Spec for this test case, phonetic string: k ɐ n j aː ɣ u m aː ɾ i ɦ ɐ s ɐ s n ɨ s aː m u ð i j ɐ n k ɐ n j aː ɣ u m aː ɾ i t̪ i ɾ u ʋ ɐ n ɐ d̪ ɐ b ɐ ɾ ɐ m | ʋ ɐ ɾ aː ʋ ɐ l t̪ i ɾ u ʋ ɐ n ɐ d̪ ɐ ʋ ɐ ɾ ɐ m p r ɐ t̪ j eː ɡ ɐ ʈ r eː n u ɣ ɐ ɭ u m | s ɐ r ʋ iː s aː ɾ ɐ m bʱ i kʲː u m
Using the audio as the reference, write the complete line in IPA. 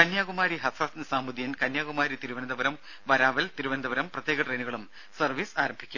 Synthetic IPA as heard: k ɐ n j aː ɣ u m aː ɾ i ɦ ɐ s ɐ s n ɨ s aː m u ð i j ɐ n k ɐ n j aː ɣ u m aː ɾ i t̪ i ɾ u ʋ ɐ n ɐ d̪ ɐ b ɐ ɾ ɐ m | ʋ ɐ ɾ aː ʋ ɐ l t̪ i ɾ u ʋ ɐ n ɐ d̪ ɐ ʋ ɐ ɾ ɐ m p r ɐ t̪ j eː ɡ ɐ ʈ r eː n u ɣ ɐ ɭ u m | s ɐ r ʋ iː s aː ɾ ɐ m bʱ i kʲː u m

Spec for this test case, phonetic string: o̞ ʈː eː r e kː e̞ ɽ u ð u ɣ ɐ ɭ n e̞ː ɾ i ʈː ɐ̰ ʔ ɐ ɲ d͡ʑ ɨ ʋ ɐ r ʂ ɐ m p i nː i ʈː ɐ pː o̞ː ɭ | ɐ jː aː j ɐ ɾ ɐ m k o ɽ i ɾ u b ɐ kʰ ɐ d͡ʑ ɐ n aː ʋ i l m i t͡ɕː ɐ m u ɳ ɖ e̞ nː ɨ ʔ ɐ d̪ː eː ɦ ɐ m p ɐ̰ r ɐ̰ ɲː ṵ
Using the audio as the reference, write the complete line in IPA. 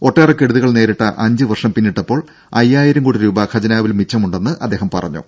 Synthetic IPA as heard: o̞ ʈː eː r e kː e̞ ɽ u ð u ɣ ɐ ɭ n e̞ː ɾ i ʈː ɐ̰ ʔ ɐ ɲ d͡ʑ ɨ ʋ ɐ r ʂ ɐ m p i nː i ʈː ɐ pː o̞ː ɭ | ɐ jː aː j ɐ ɾ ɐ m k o ɽ i ɾ uː b ɐ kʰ ɐ d͡ʑ ɐ n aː ʋ i l m i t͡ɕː ɐ m u ɳ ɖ e̞ nː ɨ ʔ ɐ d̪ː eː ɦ ɐ m p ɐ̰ r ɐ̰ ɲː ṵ

